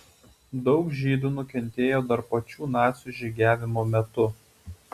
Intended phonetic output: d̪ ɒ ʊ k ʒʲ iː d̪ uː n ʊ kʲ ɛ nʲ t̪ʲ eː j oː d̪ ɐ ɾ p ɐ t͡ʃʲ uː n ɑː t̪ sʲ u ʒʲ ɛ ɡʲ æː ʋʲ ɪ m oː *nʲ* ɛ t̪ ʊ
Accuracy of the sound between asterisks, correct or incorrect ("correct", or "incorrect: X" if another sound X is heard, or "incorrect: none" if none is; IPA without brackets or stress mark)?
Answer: incorrect: mʲ